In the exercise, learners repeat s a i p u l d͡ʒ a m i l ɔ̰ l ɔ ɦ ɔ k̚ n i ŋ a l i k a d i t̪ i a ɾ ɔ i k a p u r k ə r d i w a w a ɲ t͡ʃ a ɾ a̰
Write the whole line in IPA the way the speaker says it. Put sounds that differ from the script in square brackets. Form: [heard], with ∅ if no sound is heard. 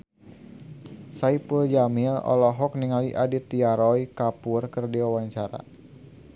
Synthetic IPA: s a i p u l d͡ʒ a m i l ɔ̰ l ɔ ɦ ɔ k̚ n i ŋ a l i [ʔ] a d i t̪ i a ɾ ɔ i k a p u r k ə r d i w a w a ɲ t͡ʃ a ɾ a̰